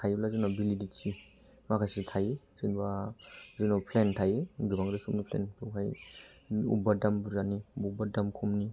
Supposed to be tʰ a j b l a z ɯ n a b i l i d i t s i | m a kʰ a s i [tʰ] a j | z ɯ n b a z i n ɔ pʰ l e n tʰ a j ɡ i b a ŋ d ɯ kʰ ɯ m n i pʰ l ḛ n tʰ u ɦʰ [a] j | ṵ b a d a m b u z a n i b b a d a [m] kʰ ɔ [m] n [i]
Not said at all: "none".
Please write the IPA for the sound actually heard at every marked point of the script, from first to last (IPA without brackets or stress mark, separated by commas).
tʰ, a, m, m, i